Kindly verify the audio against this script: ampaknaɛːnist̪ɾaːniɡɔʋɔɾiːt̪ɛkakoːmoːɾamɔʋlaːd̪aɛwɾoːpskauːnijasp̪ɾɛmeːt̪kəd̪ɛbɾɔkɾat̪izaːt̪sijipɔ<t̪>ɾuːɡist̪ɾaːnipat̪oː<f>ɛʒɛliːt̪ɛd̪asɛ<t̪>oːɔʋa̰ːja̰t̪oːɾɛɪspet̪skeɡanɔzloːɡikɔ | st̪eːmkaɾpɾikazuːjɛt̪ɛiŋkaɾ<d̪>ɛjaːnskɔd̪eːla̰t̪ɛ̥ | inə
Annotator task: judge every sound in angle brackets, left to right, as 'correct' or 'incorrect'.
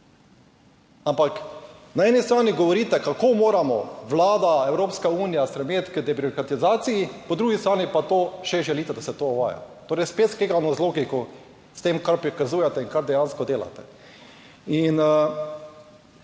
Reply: incorrect, incorrect, correct, correct

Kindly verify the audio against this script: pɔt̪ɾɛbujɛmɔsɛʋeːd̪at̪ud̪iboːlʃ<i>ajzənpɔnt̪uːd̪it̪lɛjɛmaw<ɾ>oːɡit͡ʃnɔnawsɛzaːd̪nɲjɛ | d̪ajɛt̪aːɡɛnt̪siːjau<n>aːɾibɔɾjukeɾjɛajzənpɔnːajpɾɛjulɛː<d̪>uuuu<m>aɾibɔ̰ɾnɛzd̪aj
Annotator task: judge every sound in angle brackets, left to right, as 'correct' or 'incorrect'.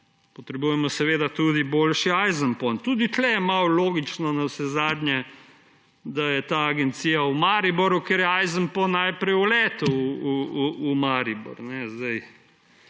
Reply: correct, incorrect, incorrect, incorrect, correct

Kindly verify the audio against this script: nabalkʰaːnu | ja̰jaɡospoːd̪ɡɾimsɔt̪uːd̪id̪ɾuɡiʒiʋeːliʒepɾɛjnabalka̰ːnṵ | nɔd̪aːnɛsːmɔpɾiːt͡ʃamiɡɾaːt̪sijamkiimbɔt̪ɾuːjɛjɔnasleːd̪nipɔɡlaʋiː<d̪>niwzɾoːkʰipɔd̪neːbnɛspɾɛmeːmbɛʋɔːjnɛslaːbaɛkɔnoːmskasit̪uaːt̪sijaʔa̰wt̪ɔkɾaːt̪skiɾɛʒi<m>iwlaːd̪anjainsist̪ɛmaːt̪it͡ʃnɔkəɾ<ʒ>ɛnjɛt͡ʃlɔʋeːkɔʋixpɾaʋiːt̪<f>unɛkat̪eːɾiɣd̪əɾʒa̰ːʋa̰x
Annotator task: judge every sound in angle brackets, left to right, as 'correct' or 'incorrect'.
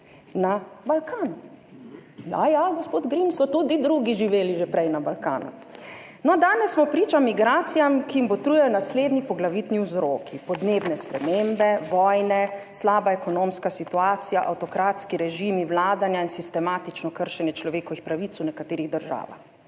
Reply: incorrect, correct, incorrect, incorrect

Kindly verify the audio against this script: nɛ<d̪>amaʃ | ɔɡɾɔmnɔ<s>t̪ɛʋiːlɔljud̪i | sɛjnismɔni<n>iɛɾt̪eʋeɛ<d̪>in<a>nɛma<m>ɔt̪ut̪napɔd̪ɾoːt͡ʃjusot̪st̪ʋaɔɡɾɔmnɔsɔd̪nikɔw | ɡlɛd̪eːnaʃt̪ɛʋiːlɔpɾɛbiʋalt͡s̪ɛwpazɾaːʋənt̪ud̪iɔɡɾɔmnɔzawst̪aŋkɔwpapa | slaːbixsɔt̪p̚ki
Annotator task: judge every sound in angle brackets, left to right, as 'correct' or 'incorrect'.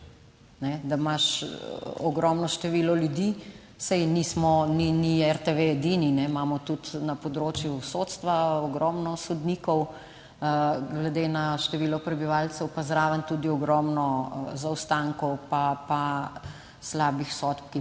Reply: correct, incorrect, correct, correct, incorrect, correct

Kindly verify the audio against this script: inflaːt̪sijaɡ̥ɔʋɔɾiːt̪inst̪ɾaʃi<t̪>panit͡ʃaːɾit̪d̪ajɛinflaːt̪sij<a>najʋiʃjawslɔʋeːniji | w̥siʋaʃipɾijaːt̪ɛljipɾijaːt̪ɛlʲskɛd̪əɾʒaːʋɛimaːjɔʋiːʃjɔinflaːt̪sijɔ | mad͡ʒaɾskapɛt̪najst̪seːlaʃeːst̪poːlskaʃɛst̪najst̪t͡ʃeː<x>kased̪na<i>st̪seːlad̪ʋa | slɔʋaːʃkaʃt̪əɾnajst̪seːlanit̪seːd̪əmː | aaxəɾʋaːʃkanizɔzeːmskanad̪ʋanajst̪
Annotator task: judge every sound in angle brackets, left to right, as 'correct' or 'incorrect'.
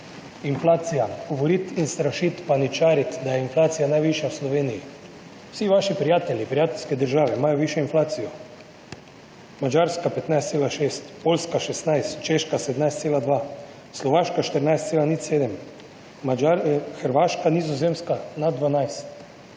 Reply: correct, correct, incorrect, incorrect

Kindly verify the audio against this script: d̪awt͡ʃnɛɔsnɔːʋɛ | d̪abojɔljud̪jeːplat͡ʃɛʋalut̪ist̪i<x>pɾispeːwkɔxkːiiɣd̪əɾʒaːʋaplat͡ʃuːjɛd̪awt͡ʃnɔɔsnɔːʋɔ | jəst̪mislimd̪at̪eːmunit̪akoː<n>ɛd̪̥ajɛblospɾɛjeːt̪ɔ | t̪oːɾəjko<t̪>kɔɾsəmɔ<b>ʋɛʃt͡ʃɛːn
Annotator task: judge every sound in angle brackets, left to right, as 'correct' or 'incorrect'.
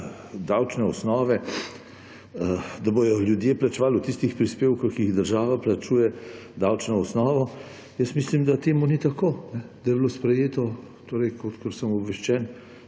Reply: correct, correct, correct, correct

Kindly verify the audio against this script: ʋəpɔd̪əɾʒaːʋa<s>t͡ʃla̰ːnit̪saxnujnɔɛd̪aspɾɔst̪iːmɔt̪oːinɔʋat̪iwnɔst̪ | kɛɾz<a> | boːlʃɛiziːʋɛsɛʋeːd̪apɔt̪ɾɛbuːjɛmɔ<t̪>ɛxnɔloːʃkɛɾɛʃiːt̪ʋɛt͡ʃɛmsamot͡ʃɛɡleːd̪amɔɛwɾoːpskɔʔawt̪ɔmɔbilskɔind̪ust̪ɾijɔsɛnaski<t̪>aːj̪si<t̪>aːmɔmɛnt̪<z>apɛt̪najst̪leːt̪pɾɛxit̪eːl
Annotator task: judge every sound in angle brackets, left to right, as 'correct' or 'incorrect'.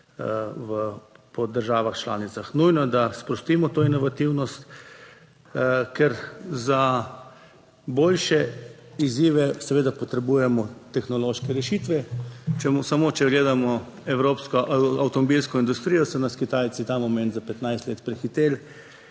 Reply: incorrect, correct, correct, correct, correct, correct

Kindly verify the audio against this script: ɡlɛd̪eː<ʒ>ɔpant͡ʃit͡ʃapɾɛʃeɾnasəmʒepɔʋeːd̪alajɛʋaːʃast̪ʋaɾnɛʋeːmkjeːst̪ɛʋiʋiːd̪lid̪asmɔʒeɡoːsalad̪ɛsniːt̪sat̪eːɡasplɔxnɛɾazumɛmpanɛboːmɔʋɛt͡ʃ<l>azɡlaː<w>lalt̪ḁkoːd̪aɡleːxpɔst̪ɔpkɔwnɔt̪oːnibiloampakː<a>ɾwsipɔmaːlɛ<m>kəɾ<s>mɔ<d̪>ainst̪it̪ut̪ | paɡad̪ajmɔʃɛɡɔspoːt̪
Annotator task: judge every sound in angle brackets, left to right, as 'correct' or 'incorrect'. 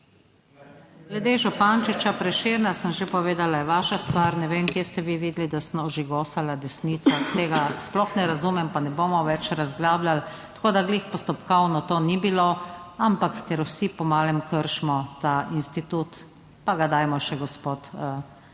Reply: correct, incorrect, incorrect, incorrect, correct, incorrect, incorrect

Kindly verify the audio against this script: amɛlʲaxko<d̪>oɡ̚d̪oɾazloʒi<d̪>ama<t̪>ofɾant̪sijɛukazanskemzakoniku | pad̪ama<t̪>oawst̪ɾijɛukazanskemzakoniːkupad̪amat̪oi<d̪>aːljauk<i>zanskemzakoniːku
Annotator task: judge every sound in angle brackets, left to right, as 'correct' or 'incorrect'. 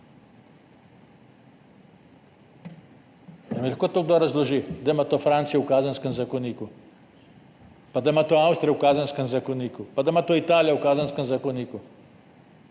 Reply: incorrect, correct, correct, correct, incorrect, incorrect

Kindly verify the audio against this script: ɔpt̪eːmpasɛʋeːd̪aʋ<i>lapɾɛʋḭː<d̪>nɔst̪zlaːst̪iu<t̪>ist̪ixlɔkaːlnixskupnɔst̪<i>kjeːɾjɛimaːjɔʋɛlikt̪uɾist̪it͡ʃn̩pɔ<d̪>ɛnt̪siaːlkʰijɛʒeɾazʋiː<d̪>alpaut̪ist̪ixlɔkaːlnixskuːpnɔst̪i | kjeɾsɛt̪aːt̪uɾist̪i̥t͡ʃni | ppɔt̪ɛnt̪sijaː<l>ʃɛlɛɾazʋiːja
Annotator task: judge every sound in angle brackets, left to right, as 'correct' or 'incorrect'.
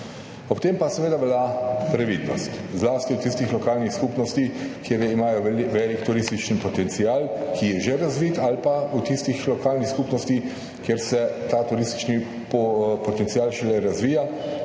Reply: incorrect, correct, correct, correct, incorrect, incorrect, correct

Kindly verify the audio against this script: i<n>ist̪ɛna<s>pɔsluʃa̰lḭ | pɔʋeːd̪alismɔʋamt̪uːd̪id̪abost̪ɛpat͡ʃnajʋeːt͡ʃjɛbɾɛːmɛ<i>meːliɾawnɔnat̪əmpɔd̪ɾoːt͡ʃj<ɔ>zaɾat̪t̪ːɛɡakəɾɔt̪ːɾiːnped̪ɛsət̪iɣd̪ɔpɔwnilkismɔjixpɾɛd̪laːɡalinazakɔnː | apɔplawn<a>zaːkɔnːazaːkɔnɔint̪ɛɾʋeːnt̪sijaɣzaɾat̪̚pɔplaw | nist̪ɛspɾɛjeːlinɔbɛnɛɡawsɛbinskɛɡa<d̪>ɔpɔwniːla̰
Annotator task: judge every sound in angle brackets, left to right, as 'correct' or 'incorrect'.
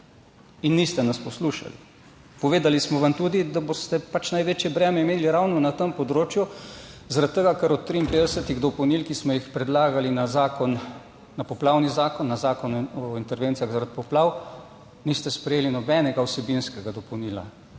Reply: incorrect, correct, correct, incorrect, incorrect, correct

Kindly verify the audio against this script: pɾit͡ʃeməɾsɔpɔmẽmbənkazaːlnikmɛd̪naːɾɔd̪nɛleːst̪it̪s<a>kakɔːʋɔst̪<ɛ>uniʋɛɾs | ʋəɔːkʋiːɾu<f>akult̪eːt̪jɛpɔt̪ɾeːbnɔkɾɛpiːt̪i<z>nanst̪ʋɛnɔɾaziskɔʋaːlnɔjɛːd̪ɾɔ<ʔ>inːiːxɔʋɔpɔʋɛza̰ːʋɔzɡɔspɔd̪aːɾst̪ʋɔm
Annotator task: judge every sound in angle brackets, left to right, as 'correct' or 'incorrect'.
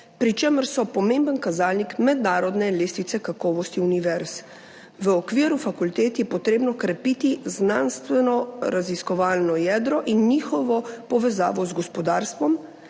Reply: incorrect, incorrect, correct, correct, correct

